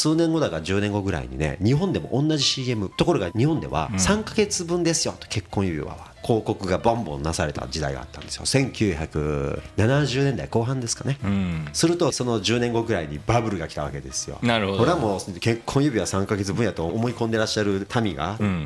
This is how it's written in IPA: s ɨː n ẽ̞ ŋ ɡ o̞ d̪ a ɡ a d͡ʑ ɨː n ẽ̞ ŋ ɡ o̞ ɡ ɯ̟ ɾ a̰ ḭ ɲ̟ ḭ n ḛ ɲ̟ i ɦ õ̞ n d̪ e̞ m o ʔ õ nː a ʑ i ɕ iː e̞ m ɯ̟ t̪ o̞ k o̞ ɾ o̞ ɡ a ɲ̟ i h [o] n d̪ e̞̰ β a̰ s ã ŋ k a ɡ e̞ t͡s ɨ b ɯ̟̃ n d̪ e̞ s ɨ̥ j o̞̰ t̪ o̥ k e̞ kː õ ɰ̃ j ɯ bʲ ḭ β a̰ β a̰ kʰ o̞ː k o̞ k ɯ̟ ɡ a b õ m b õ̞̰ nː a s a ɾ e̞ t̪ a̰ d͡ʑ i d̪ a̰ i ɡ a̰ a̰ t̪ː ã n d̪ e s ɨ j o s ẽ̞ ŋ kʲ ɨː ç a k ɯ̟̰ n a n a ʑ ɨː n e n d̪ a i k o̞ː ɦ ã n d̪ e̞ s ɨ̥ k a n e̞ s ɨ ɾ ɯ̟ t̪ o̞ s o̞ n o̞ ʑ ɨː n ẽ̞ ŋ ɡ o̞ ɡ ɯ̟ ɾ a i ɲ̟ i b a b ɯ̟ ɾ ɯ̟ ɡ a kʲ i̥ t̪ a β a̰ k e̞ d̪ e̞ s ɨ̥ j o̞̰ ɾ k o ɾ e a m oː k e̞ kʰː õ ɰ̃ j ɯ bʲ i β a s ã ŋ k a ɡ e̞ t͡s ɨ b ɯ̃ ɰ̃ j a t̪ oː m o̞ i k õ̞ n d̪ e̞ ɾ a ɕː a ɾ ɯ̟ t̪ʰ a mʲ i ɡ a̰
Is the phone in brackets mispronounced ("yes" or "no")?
yes